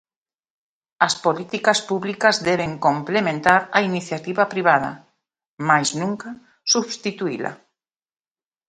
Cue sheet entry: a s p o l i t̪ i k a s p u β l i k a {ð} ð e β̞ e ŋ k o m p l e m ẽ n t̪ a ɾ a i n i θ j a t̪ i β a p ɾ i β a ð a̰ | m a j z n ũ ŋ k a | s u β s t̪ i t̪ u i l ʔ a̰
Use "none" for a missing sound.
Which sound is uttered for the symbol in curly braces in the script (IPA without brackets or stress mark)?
z